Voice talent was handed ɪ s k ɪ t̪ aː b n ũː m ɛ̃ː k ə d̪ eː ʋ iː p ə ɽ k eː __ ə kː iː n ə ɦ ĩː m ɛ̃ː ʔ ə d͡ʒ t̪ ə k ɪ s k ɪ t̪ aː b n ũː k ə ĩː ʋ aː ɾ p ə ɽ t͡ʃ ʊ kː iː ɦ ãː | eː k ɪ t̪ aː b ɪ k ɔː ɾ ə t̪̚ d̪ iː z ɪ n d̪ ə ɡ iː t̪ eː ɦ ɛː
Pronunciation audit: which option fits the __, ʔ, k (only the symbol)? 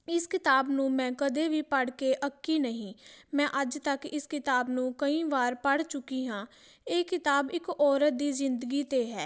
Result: ʔ